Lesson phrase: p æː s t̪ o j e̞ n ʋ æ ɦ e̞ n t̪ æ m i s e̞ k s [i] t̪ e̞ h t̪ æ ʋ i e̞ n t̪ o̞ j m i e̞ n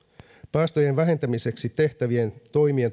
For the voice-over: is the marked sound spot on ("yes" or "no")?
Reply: yes